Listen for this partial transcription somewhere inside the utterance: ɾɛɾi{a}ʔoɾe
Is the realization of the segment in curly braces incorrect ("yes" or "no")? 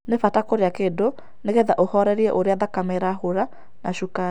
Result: yes